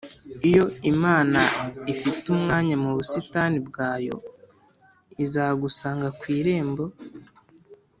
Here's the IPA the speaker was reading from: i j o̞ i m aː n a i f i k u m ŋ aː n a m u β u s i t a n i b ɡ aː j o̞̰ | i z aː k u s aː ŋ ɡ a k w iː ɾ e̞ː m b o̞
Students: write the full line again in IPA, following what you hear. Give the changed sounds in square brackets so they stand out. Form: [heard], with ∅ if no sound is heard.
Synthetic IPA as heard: i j o̞ i m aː n a i f i [t] u m ŋ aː [ɲ] a m u β u s i t a n i b ɡ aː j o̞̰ | i z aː [ɡ] u s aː ŋ ɡ a k w iː ɾ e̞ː m b o̞